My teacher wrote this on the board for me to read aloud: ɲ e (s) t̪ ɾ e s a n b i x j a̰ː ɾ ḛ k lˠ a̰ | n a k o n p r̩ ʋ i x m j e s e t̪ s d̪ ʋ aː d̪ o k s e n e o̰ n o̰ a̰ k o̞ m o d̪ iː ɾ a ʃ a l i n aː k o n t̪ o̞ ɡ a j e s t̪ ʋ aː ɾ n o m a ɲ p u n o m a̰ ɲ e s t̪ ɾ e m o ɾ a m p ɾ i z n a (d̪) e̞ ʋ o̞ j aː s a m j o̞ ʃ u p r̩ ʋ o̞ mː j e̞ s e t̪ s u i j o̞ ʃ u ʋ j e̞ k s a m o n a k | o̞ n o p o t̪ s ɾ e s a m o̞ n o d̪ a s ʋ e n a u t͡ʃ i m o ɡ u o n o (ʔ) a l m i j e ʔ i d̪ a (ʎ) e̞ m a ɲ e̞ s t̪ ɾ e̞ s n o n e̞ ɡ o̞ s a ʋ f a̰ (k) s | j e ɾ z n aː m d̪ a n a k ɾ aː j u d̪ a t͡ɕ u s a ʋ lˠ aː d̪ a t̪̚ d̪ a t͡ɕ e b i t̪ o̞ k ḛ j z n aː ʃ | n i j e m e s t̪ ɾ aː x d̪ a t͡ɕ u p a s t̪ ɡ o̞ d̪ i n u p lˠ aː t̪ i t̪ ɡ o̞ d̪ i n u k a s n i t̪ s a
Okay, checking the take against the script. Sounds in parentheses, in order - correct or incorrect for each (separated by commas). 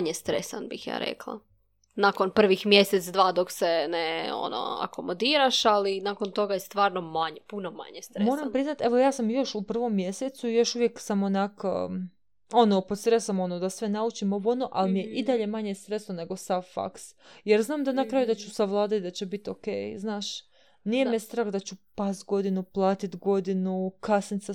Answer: correct, incorrect, correct, correct, correct